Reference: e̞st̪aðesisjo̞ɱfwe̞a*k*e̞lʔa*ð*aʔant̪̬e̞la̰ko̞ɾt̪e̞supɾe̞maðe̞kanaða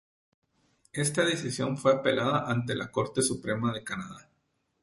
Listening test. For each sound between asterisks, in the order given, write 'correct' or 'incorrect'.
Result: incorrect: p, correct

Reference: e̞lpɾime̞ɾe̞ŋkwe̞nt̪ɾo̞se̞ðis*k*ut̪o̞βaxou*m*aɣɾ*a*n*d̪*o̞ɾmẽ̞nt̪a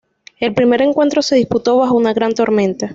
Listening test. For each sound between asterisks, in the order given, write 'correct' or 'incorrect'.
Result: incorrect: p, incorrect: n, correct, incorrect: t̪

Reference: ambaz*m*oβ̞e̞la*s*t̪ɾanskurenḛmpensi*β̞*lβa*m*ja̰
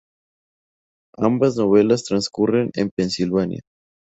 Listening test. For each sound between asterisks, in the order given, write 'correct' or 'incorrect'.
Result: incorrect: n, correct, incorrect: none, incorrect: n

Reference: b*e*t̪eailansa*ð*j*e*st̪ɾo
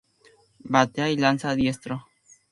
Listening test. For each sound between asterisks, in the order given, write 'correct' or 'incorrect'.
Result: incorrect: a, correct, correct

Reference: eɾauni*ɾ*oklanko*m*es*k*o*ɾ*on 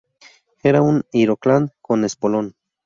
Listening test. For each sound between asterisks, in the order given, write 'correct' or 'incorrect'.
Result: correct, incorrect: n, incorrect: p, incorrect: l

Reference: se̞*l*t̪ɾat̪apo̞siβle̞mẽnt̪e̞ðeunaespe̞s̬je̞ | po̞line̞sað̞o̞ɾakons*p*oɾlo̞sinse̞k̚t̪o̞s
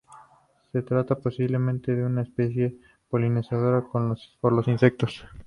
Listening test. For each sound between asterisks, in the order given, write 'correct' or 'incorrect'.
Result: incorrect: none, correct

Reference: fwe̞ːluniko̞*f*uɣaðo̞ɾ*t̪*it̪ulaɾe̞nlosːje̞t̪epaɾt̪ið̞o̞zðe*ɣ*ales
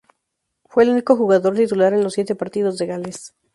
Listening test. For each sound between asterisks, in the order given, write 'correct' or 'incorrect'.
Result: incorrect: x, correct, correct

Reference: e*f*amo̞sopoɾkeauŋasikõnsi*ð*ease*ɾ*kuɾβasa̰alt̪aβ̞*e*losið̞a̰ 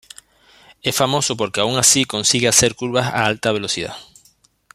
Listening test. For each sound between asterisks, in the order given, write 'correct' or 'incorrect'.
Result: correct, incorrect: ɣ, correct, correct

